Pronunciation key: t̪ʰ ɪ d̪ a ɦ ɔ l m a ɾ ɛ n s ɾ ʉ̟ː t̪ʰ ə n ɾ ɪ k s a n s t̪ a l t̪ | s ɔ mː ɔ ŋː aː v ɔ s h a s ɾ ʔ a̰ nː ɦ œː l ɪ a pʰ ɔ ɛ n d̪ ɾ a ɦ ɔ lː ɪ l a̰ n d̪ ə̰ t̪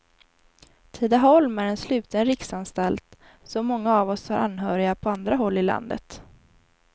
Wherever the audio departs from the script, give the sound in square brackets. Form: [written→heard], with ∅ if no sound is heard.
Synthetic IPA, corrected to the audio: t̪ʰ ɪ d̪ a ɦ ɔ l m [a→æ] ɾ ɛ n s [ɾ→l] ʉ̟ː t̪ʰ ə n ɾ ɪ k s a n s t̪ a l t̪ | s ɔ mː ɔ ŋː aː v ɔ s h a [s→∅] ɾ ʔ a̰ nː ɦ œː [l→ɾ] ɪ a pʰ ɔ [ɛ→a] n d̪ ɾ a ɦ ɔ lː ɪ l a̰ n d̪ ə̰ t̪